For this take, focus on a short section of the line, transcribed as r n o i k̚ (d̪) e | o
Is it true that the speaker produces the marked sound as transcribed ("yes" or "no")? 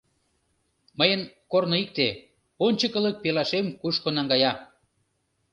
no